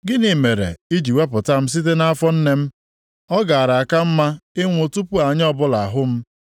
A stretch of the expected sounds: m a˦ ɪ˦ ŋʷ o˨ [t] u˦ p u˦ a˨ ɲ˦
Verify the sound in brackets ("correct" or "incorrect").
correct